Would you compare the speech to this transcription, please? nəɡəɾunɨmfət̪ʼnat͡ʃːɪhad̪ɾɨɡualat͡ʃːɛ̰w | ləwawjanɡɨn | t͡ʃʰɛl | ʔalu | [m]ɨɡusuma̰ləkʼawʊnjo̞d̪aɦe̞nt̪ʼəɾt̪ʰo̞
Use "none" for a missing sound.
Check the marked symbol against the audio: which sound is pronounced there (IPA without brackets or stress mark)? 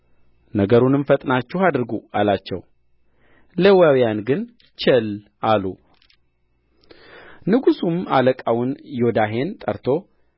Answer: n